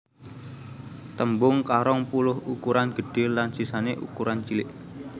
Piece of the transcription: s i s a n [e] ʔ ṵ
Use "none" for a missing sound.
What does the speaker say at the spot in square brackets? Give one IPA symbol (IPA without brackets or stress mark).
e